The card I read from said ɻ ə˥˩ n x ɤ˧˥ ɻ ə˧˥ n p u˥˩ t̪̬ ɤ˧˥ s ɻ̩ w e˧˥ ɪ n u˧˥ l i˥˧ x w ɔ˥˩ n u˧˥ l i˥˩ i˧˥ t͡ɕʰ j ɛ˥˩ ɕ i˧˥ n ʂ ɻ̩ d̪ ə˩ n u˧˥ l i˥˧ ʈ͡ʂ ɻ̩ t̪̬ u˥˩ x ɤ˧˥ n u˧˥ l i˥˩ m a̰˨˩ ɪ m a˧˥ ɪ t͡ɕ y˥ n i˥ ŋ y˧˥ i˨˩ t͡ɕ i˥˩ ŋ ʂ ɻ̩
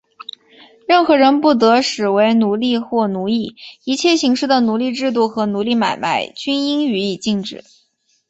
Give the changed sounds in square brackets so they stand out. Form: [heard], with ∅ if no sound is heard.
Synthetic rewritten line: ɻ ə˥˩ n x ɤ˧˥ ɻ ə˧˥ n p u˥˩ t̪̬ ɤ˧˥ [ʂ] ɻ̩ w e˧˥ ɪ n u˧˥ l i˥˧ x w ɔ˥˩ n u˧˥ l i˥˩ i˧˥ t͡ɕʰ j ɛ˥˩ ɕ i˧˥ [ŋ] ʂ ɻ̩ d̪ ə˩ n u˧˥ l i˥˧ ʈ͡ʂ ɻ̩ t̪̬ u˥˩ x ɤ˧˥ n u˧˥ l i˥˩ m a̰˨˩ ɪ m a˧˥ ɪ t͡ɕ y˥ n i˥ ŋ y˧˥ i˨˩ t͡ɕ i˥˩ ŋ [ʈ͡ʂ] ɻ̩